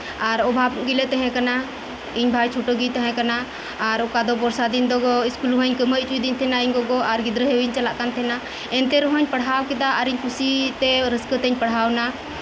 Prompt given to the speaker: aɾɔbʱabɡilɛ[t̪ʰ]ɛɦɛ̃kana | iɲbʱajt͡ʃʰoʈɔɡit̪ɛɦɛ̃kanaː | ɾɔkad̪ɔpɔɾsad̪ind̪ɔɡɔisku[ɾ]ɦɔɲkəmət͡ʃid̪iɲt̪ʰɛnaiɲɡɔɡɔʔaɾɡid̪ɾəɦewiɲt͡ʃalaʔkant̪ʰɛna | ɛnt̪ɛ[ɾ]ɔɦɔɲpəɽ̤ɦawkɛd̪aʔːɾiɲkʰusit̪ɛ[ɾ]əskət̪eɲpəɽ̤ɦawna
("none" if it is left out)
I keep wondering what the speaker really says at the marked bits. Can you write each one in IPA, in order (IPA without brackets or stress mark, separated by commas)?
t̪, l, ɾ, ɾ